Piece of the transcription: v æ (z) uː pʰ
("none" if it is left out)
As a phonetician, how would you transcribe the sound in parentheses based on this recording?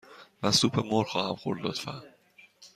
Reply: s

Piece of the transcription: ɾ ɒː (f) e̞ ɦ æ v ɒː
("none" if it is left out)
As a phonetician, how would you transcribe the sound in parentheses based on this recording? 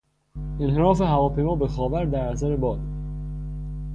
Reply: f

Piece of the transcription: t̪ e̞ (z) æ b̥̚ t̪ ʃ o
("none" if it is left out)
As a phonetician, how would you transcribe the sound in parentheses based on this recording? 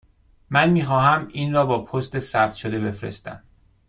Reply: s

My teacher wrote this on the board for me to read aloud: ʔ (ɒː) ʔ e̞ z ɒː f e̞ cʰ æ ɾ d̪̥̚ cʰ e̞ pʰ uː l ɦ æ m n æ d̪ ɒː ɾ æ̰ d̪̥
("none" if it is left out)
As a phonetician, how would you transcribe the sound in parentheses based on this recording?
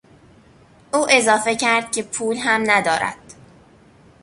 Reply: uː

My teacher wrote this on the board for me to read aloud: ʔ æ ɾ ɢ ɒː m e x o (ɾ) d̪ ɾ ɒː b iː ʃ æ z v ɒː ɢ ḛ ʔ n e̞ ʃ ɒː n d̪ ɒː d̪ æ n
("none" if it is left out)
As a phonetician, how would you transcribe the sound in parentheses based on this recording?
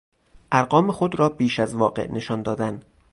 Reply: none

